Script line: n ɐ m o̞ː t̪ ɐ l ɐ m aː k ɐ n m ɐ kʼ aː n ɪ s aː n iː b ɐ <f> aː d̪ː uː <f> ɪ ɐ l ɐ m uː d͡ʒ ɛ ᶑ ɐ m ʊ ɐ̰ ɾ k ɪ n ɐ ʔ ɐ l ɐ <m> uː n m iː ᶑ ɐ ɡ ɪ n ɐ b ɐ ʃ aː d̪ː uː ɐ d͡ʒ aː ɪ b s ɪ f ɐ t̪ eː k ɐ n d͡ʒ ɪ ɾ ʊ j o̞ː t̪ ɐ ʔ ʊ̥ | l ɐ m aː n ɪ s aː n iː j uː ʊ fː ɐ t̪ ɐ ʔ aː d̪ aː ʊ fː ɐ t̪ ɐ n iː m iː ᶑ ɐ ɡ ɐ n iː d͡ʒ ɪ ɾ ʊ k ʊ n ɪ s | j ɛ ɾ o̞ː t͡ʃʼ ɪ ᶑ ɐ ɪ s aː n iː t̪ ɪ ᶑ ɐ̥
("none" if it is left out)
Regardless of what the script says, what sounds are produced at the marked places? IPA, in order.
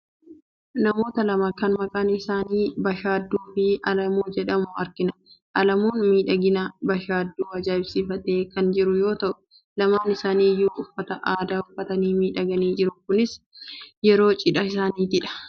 ʃ, f, m

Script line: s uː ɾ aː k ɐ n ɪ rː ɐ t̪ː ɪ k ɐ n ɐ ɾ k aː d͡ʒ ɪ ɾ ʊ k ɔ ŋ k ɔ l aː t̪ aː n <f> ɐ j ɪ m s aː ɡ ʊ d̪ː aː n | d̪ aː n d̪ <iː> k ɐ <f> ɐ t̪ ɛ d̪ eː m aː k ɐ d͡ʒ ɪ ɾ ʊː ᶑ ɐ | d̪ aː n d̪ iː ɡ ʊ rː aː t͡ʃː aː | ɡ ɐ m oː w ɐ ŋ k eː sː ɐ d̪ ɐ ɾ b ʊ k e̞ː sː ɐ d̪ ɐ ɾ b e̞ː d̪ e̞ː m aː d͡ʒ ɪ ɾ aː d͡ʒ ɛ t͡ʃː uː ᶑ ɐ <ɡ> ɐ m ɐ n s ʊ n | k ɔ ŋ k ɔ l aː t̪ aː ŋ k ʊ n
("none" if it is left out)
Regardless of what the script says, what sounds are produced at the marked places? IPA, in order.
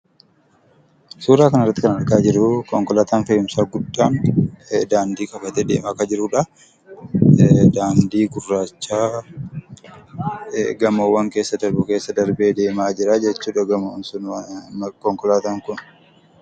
f, iː, f, ɡ

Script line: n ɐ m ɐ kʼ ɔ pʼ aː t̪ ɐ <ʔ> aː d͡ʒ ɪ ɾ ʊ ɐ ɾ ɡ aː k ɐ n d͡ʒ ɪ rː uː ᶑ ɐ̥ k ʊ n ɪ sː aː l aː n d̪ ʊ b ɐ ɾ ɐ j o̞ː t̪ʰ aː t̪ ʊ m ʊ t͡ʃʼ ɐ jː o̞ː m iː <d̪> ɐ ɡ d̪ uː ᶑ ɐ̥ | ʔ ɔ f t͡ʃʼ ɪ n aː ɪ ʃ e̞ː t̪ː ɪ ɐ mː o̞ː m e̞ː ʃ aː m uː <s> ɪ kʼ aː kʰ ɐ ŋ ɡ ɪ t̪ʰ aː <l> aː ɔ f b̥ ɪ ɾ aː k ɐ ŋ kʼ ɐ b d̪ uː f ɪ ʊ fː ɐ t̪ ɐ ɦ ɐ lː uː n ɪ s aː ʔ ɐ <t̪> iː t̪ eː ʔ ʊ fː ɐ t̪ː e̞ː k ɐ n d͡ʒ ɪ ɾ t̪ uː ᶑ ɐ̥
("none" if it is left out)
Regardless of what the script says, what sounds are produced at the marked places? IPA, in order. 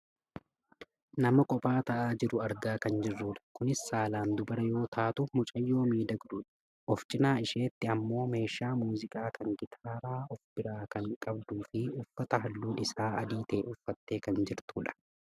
ʔ, d̪, z, ɾ, d̪

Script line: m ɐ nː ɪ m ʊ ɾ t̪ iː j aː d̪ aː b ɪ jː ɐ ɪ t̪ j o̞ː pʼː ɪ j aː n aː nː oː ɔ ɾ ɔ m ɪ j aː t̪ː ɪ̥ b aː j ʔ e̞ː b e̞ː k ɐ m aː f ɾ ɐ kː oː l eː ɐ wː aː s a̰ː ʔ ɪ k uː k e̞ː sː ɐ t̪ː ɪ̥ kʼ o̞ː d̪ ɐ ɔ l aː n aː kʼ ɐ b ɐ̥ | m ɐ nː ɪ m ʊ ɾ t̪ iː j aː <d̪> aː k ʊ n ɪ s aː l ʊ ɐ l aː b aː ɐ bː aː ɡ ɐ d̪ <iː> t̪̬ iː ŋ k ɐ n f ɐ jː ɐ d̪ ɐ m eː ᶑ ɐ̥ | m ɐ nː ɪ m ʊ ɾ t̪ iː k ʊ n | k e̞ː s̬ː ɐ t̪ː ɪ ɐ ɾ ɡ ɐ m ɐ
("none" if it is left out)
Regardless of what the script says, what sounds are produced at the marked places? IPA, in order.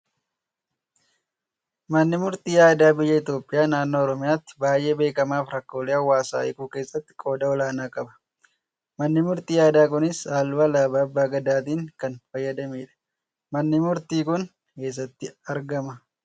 d̪, aː

